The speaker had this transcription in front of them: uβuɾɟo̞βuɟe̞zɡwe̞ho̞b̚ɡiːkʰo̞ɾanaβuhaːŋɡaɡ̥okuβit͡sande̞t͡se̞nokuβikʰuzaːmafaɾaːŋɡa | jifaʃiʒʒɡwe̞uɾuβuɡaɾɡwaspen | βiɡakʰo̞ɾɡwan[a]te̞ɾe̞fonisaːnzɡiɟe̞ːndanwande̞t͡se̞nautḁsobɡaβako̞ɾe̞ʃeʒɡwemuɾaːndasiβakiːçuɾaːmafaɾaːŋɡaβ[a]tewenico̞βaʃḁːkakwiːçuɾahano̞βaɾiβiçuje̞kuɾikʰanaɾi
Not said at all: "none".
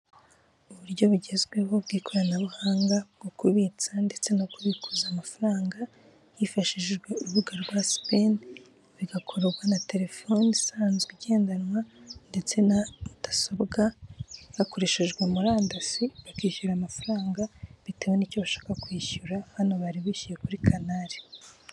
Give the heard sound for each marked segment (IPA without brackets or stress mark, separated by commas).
a, i